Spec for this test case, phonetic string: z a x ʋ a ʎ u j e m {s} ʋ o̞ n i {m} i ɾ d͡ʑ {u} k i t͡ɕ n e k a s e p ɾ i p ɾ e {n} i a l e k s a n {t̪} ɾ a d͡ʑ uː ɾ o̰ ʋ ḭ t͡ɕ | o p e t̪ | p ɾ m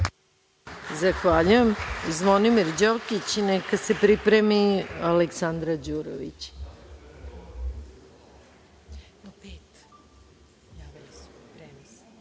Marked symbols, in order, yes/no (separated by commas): no, yes, no, no, no